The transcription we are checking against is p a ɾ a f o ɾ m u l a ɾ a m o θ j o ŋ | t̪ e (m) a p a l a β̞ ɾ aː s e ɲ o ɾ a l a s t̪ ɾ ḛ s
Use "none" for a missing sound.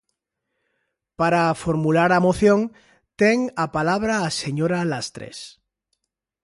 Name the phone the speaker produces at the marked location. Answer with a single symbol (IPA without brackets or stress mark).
ŋ